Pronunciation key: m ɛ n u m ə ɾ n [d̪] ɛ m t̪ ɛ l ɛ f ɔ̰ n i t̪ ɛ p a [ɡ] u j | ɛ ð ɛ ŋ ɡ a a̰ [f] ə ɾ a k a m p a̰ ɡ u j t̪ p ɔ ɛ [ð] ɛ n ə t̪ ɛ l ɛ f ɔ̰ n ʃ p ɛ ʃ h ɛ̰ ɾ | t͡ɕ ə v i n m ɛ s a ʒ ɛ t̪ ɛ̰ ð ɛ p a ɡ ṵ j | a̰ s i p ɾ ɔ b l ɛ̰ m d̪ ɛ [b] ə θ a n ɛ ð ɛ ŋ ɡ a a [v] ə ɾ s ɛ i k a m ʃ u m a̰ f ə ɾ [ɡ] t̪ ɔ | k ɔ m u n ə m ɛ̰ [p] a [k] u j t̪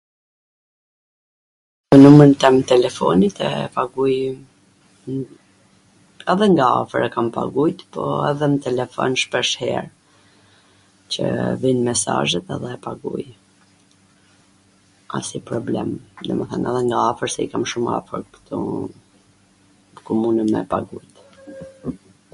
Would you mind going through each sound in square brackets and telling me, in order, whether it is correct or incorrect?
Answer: incorrect, correct, correct, correct, incorrect, incorrect, incorrect, correct, incorrect

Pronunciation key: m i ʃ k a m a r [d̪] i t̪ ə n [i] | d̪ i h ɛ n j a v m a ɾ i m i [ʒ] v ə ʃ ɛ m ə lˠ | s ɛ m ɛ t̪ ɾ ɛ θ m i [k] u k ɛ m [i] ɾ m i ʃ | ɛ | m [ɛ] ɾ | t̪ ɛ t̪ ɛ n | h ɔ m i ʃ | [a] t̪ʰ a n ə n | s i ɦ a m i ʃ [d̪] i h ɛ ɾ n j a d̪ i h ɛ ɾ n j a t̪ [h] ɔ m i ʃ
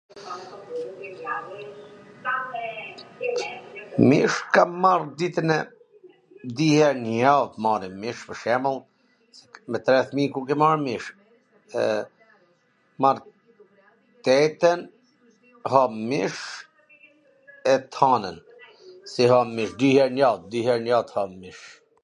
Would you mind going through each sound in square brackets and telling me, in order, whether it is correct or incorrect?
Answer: correct, incorrect, incorrect, correct, incorrect, incorrect, incorrect, correct, correct

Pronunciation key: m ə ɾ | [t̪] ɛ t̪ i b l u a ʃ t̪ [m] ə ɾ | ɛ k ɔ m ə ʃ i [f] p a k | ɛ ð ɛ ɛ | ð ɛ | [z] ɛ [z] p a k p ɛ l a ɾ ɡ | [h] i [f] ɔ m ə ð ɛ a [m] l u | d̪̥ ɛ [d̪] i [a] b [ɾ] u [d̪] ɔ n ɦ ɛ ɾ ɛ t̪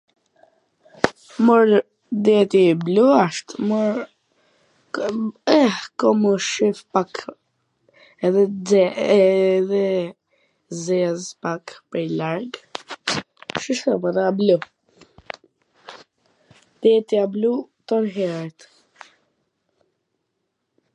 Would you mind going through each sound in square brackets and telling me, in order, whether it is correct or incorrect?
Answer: incorrect, correct, correct, correct, correct, incorrect, incorrect, incorrect, incorrect, correct, incorrect, incorrect

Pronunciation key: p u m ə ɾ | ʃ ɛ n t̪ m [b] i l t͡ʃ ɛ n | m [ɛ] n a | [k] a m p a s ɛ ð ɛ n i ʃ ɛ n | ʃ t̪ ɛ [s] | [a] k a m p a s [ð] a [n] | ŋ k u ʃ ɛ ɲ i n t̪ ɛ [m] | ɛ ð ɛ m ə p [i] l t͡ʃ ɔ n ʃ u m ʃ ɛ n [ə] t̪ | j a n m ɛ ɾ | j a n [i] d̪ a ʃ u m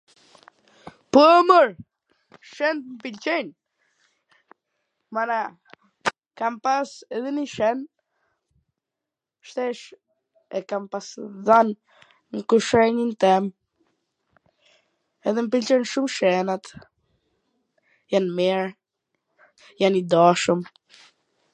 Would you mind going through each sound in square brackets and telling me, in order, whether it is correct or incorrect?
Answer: incorrect, incorrect, correct, incorrect, incorrect, correct, correct, correct, correct, incorrect, correct

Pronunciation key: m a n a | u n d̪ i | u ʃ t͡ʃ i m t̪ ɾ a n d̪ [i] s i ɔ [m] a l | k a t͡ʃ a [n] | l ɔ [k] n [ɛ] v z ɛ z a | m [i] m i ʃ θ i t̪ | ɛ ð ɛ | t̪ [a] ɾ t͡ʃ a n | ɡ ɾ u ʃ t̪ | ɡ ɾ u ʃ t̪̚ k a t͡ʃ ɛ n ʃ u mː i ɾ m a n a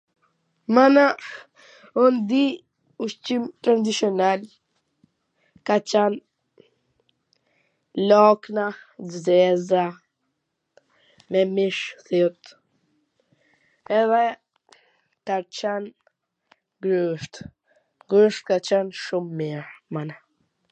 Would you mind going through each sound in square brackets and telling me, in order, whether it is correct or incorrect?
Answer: correct, incorrect, correct, correct, incorrect, incorrect, correct

